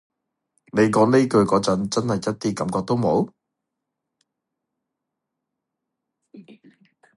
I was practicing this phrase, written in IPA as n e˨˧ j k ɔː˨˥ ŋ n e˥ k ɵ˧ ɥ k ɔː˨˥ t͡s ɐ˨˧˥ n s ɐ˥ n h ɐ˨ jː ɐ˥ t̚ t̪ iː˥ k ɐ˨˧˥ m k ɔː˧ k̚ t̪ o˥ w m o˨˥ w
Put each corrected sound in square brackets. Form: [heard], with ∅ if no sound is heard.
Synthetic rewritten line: n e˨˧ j k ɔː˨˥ ŋ n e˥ k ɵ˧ ɥ k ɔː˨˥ t͡s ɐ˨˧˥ n [t͡s] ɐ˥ n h ɐ˨ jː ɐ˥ t̚ t̪ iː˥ k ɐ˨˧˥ m k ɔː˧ k̚ t̪ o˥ w m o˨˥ w

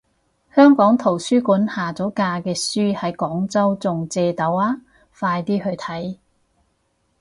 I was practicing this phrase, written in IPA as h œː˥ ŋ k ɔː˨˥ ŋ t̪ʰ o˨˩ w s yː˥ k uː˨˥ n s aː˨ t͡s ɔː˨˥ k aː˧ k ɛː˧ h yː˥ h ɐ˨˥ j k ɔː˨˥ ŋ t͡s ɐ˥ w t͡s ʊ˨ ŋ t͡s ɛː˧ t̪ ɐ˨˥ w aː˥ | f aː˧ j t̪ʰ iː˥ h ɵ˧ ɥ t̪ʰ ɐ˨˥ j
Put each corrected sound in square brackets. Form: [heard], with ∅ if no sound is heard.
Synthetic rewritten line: h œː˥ ŋ k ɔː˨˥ ŋ t̪ʰ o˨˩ w s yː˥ k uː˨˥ n [h] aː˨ t͡s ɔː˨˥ k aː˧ k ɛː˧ [s] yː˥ h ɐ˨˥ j k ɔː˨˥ ŋ t͡s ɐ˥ w t͡s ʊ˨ ŋ t͡s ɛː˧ t̪ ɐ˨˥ w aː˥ | f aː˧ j [t̪] iː˥ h ɵ˧ ɥ t̪ʰ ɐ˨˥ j

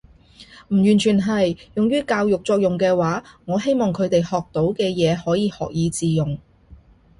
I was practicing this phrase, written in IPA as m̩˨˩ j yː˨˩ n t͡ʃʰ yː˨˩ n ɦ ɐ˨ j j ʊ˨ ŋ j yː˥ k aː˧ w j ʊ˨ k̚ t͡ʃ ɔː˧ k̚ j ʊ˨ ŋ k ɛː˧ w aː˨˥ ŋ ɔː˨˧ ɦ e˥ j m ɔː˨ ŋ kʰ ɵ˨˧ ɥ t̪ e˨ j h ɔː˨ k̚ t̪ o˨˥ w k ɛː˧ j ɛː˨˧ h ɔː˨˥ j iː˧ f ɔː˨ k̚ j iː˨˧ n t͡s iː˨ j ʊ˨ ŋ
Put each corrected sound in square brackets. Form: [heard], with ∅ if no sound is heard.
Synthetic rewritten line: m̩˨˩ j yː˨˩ n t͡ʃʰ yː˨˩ n ɦ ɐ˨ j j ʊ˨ ŋ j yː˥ k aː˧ w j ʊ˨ k̚ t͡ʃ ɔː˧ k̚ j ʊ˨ ŋ k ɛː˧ w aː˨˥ ŋ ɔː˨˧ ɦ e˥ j m ɔː˨ ŋ kʰ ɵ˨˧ ɥ t̪ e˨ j h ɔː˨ k̚ t̪ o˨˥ w k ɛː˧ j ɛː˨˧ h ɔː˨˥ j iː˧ [h] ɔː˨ k̚ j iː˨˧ [∅] t͡s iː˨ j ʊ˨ ŋ

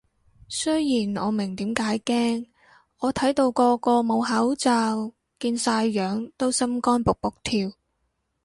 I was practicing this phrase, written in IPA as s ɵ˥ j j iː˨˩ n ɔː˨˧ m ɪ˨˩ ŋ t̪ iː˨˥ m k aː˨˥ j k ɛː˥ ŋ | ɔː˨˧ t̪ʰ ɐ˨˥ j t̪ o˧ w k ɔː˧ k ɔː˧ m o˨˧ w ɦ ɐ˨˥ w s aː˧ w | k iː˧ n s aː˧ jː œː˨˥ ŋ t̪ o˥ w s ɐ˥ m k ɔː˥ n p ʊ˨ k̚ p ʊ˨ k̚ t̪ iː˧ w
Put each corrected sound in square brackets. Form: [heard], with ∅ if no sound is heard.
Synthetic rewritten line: s ɵ˥ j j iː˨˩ n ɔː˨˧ m ɪ˨˩ ŋ t̪ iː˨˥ m k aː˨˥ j k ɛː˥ ŋ | ɔː˨˧ t̪ʰ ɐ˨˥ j t̪ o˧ w k ɔː˧ k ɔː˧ m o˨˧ w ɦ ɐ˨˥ w [t͡s] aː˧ w | k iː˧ n s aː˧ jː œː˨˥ ŋ t̪ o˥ w s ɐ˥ m k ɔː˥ n p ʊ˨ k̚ p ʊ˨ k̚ [t̪ʰ] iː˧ w

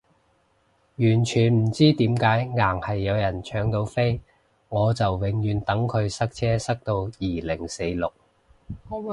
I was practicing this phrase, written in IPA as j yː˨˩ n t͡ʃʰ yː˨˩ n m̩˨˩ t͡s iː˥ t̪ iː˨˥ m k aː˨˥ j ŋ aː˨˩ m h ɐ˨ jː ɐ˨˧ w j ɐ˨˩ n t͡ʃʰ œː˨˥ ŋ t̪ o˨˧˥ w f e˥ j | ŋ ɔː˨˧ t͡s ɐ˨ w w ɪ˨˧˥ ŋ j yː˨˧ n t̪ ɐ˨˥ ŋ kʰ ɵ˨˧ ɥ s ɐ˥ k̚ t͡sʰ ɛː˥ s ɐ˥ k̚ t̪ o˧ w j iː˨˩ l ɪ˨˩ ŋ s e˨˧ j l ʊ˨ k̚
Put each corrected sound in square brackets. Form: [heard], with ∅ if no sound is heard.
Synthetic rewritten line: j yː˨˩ n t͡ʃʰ yː˨˩ n m̩˨˩ t͡s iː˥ t̪ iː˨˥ m k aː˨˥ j ŋ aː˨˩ [ŋ] h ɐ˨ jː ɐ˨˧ w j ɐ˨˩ n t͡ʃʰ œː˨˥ ŋ t̪ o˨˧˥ w f e˥ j | ŋ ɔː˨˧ t͡s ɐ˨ w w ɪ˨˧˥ ŋ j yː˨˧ n t̪ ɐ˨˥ ŋ kʰ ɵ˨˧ ɥ s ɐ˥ k̚ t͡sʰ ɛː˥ s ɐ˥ k̚ t̪ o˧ w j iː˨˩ l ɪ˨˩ ŋ s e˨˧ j l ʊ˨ k̚

